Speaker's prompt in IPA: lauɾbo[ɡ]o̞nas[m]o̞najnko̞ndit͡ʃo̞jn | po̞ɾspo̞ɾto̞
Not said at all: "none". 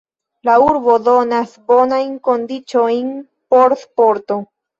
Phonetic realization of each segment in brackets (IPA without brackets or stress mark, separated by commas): d, b